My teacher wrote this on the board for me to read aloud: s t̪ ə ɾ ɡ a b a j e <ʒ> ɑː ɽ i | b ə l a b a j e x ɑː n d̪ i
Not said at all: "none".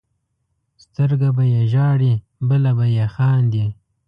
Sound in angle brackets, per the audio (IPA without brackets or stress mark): ʒ